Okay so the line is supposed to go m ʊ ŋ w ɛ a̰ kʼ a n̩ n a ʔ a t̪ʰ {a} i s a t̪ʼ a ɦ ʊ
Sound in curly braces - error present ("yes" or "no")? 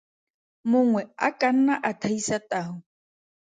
no